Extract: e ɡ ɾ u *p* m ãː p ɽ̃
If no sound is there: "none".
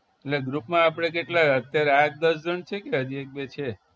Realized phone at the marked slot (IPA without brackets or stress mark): p